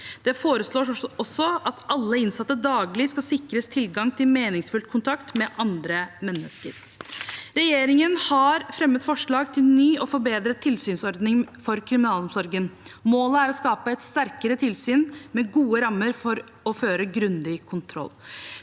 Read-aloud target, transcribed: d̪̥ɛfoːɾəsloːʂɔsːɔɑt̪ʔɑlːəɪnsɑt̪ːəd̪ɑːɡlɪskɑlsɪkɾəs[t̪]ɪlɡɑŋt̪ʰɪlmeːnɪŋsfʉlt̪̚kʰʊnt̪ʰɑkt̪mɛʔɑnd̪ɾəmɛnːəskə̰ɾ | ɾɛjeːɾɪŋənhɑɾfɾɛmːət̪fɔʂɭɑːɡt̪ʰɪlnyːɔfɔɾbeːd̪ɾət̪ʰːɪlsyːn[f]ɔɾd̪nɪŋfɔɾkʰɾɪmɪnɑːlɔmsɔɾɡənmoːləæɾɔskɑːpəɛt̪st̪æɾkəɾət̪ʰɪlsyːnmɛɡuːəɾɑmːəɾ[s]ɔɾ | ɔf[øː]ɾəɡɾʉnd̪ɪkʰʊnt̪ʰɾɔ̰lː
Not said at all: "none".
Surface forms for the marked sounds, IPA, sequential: t̪ʰ, s, f, øː

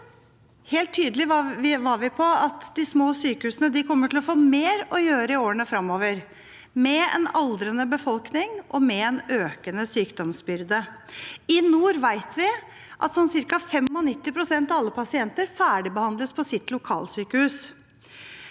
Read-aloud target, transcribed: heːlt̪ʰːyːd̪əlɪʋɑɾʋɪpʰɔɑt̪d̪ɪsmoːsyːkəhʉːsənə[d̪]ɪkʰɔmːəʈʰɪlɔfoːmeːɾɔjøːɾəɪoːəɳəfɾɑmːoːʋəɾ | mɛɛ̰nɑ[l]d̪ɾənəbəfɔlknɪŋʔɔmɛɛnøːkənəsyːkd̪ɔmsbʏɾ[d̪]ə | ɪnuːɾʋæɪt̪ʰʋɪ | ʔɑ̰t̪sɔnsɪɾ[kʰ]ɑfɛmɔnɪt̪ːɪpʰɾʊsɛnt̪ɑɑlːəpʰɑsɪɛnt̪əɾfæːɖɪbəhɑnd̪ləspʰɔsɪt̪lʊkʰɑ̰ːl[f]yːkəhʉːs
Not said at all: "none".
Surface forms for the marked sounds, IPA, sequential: d̪, l, d̪, k, s

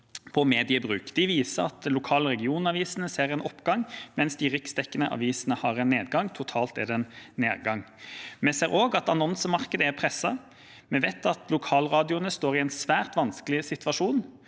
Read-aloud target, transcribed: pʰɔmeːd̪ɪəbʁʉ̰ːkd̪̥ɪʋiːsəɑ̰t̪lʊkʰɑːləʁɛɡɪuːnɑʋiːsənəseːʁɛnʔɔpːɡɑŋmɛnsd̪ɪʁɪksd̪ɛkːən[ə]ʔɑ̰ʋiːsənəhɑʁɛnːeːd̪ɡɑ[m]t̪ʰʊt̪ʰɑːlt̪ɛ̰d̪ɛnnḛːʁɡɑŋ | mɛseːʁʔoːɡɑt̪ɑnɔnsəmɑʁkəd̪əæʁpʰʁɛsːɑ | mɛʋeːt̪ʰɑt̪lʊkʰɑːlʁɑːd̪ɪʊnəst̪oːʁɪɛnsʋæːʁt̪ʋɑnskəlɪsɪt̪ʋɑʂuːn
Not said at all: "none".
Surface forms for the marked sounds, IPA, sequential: ə, ŋ

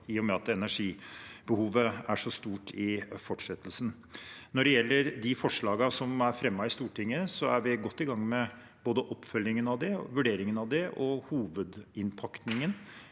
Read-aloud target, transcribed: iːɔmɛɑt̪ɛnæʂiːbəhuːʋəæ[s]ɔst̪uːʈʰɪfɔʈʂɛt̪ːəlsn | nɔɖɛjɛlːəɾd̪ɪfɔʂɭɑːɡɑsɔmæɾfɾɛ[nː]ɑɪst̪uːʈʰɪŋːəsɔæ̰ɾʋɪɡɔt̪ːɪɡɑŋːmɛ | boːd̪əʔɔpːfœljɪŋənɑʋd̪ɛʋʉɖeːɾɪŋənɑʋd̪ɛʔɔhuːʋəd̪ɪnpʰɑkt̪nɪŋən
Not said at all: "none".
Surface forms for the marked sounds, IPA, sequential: ʂ, mː

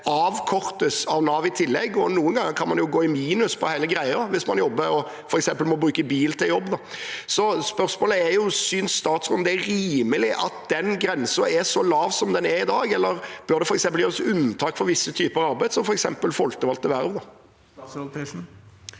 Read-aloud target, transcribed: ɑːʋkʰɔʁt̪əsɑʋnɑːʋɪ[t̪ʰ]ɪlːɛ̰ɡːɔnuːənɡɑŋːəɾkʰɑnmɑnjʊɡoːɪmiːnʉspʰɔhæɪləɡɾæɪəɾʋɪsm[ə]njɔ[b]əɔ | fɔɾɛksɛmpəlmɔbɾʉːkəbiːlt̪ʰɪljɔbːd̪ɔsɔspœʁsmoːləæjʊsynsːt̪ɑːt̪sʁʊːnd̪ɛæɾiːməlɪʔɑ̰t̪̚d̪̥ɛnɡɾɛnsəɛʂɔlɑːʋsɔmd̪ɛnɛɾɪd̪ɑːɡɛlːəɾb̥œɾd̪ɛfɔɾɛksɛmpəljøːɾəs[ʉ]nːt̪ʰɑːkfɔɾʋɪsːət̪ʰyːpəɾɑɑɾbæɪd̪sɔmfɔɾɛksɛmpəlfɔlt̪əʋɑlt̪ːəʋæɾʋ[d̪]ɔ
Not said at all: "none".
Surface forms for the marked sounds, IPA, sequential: t̪ʰ, ɑ, bː, ʉ, d̪

